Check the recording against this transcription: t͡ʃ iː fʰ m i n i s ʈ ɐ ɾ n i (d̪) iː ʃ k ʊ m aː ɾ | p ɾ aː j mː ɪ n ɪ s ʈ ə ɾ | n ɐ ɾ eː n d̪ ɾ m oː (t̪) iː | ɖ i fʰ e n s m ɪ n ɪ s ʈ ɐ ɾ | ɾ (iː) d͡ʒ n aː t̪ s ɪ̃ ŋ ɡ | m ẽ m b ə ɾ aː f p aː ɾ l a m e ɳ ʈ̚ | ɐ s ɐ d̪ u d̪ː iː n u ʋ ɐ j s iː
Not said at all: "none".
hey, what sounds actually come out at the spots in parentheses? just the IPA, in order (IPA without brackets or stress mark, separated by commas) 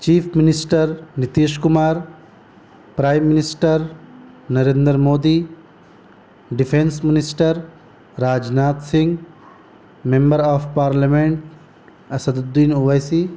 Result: t̪, d̪, aː